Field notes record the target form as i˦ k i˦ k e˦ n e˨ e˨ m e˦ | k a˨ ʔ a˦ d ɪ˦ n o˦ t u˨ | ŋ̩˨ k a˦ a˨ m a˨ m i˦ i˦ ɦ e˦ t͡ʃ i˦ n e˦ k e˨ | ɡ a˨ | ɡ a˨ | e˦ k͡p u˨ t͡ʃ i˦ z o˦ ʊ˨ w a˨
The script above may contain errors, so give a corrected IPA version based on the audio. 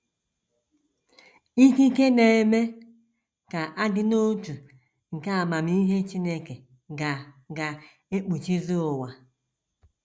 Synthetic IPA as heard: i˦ k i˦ k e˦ n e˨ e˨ m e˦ | k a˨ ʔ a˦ d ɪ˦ n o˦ t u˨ | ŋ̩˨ k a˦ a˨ m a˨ m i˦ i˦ ɦ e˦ t͡ʃ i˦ n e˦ k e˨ | ɡ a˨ | ɡ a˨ | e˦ k͡p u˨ t͡ʃ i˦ z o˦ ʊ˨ w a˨

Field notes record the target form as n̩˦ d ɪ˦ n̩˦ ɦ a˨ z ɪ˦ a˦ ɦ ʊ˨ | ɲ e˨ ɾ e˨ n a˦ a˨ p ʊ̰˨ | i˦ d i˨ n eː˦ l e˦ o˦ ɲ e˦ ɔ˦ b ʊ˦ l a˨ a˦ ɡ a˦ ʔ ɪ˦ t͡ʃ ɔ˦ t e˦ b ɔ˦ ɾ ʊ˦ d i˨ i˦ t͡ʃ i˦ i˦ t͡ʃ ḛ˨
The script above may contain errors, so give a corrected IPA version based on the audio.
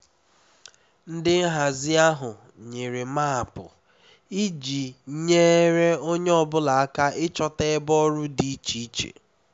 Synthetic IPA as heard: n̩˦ d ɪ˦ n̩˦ ɦ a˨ z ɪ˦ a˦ ɦ ʊ˨ | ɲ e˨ ɾ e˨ m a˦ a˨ p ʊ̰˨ | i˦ d͡ʒ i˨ ɲ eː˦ ɾ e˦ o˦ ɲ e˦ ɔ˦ b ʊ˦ l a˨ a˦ k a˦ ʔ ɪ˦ t͡ʃ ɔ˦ t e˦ b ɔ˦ ɾ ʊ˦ d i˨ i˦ t͡ʃ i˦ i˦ t͡ʃ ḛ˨

